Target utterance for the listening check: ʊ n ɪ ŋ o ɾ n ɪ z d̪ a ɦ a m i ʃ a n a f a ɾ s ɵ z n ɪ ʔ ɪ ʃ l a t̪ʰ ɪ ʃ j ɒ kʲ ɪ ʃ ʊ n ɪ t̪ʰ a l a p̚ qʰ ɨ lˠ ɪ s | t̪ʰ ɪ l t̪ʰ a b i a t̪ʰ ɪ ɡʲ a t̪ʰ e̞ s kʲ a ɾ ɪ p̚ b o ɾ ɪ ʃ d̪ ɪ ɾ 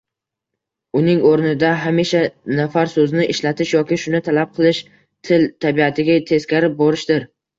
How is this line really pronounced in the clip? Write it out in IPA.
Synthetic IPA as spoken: ʊ n ɪ ŋ o ɾ n ɪ d̪ a ɦ a m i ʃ a n a f a ɾ s ɵ z n ɪ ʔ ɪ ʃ l a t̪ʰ ɪ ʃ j ɒ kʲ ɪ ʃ ʊ n ɪ t̪ʰ a l a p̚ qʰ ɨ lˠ ɪ ʃ | t̪ʰ ɪ l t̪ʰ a b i a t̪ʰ ɪ ɡʲ a t̪ʰ e̞ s kʲ a ɾ ɪ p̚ b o ɾ ɪ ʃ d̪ ɪ ɾ